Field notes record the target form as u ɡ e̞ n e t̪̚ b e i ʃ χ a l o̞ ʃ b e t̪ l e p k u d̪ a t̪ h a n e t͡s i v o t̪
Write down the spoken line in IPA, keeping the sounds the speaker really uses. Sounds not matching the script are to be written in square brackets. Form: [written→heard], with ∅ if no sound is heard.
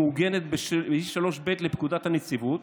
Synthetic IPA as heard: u ɡ e̞ n e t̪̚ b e i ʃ [χ→ʃ] a l o̞ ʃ b e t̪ l e p k u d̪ a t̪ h a n e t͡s i v [o→u] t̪